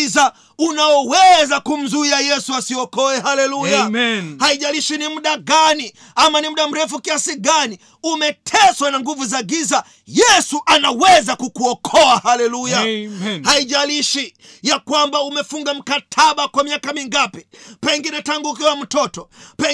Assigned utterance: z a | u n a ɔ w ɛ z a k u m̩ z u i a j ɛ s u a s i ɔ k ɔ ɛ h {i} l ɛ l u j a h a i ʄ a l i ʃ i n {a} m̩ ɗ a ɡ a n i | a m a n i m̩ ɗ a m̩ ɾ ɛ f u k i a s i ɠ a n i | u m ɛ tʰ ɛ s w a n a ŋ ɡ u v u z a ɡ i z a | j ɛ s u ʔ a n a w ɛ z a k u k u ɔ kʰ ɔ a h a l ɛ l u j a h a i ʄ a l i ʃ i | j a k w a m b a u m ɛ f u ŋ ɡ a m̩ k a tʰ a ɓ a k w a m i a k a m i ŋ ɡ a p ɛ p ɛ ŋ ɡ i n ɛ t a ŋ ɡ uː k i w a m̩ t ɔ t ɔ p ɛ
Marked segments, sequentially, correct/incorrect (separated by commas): incorrect, incorrect